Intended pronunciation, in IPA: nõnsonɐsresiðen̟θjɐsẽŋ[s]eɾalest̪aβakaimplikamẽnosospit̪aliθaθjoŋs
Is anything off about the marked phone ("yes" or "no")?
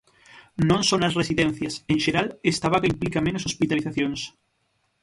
yes